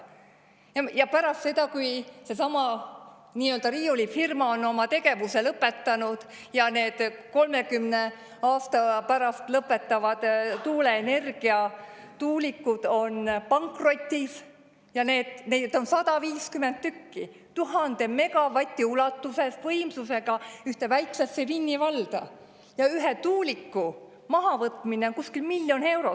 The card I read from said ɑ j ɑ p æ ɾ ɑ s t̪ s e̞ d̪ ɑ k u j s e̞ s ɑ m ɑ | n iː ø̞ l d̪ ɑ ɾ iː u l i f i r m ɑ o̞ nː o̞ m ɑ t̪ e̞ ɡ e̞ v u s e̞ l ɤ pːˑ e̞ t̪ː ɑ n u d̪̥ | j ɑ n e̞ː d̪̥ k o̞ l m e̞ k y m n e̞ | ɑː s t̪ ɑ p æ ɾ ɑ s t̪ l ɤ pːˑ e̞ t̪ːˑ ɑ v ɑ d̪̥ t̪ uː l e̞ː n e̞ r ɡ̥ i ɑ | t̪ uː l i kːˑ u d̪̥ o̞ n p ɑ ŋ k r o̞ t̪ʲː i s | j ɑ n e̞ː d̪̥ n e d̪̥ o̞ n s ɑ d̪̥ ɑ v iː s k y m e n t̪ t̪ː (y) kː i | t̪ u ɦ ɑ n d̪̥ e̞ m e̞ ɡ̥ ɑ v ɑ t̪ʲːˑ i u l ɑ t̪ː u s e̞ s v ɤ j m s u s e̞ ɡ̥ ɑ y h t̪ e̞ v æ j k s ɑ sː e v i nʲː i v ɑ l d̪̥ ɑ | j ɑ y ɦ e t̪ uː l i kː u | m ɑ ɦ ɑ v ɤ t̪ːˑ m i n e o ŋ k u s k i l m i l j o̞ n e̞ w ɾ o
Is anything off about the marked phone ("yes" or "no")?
no